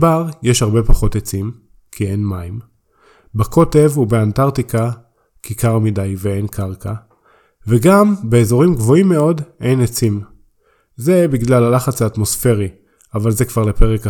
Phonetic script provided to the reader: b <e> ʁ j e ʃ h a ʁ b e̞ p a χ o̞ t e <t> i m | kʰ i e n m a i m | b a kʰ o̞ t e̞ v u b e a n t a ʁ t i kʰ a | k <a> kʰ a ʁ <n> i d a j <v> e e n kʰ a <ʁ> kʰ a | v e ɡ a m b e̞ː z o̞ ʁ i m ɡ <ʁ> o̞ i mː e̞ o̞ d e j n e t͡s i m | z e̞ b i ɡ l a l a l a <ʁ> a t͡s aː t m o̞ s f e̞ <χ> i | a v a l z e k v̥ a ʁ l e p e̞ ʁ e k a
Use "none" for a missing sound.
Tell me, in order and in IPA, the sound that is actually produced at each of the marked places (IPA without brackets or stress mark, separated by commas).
a, t͡s, i, m, v, ʁ, v, χ, ʁ